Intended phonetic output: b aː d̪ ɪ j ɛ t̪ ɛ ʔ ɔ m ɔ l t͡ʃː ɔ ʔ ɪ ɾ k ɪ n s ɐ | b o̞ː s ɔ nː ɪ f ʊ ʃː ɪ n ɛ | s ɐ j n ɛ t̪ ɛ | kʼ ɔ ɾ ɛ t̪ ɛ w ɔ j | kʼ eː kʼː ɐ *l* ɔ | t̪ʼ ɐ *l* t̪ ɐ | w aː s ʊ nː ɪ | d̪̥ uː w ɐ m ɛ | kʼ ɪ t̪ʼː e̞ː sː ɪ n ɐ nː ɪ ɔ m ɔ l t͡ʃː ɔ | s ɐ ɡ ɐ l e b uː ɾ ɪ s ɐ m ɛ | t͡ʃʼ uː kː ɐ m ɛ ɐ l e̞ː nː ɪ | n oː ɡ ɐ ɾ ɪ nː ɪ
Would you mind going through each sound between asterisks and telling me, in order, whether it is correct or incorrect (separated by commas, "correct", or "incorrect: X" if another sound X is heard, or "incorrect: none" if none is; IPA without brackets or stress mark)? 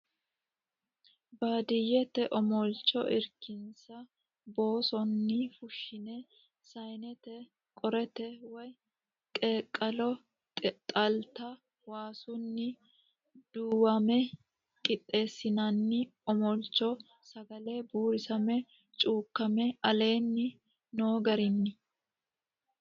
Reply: correct, correct